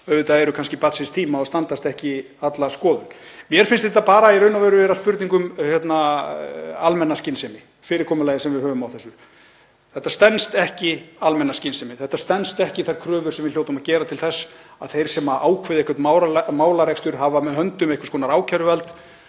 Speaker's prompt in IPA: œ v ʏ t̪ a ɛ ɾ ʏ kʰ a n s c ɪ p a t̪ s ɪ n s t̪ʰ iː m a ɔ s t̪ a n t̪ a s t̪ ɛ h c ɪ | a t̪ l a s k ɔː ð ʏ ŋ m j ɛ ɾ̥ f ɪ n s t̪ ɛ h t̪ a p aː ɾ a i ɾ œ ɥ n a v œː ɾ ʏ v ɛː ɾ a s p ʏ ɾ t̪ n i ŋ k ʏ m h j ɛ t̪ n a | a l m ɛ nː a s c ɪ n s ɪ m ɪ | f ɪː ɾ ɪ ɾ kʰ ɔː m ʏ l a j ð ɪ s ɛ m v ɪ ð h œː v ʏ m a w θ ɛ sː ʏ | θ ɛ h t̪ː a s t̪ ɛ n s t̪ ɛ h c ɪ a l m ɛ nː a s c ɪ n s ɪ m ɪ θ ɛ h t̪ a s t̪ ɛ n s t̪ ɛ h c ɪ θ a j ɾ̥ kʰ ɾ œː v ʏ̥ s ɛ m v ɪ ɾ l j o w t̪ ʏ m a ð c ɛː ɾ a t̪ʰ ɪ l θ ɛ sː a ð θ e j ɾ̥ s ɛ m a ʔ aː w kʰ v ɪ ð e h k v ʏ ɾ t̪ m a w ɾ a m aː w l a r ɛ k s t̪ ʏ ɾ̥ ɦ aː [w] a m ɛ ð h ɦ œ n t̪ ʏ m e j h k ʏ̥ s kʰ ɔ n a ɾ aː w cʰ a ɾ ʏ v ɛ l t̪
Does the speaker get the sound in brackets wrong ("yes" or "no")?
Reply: yes